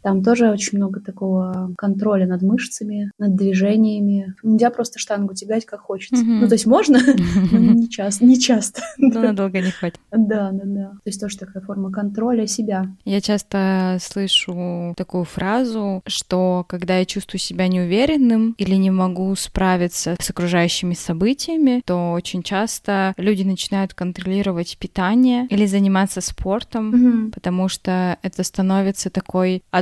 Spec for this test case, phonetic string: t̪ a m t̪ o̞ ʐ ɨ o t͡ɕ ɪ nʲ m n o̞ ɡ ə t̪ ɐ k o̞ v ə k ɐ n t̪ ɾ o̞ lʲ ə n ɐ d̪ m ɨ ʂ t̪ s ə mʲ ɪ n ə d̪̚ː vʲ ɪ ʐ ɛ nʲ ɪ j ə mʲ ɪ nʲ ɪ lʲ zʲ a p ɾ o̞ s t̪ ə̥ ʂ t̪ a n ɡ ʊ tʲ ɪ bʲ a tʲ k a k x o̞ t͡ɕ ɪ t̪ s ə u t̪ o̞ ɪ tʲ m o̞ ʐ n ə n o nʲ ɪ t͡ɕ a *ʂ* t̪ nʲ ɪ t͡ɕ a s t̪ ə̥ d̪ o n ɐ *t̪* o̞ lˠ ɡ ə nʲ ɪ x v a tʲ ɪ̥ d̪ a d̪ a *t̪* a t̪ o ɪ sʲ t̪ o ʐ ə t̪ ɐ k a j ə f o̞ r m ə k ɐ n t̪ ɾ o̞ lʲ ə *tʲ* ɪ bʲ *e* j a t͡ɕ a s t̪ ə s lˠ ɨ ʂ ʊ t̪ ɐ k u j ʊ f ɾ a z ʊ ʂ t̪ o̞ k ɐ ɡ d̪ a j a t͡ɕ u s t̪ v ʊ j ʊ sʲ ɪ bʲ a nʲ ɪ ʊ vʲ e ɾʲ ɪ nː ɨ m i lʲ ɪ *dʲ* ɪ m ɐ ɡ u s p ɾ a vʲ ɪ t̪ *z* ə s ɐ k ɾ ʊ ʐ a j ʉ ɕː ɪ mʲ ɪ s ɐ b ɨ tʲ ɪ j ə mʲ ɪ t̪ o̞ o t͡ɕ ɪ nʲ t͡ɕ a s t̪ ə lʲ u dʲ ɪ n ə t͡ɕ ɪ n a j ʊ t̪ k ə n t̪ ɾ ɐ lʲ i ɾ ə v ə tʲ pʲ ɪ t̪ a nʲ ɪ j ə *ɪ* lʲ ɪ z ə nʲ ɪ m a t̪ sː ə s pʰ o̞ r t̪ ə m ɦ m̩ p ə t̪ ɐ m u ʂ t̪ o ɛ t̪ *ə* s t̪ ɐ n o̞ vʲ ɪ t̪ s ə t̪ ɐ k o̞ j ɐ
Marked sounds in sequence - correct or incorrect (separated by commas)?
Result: incorrect, incorrect, incorrect, incorrect, incorrect, incorrect, incorrect, incorrect, correct